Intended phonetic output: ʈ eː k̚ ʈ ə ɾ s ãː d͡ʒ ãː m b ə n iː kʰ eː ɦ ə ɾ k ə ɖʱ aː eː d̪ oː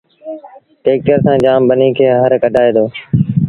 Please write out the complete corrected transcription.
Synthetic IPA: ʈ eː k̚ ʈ ə ɾ s ãː d͡ʒ aː m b ə n iː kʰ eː ɦ ə ɾ k ə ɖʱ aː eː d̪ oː